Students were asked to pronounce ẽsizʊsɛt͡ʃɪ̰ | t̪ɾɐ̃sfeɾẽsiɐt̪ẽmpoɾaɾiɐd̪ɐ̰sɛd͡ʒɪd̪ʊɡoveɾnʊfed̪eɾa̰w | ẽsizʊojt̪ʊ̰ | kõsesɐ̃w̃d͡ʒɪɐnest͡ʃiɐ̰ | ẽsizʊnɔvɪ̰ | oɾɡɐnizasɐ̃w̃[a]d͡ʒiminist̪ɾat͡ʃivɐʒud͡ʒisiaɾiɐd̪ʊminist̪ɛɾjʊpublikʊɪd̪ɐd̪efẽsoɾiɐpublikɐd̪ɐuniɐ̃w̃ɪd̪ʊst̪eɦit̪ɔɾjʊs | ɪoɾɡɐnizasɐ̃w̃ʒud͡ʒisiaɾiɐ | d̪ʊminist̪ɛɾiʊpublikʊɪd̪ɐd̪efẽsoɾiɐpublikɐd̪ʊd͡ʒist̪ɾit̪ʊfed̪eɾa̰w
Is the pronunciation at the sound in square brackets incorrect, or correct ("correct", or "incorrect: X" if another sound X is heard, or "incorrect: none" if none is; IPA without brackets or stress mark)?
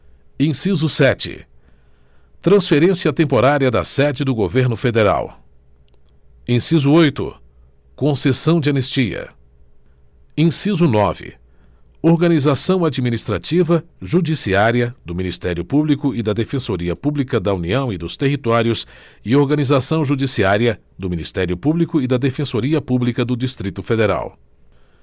correct